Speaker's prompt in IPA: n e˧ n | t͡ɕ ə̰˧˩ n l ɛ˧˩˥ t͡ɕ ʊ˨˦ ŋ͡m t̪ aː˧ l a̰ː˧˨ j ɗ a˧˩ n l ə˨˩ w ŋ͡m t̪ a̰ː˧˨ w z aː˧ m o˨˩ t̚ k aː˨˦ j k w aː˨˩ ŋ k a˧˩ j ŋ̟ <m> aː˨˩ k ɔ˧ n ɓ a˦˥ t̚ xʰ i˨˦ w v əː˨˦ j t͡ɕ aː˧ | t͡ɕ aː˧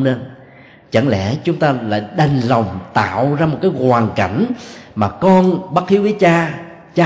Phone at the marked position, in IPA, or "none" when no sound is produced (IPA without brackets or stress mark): m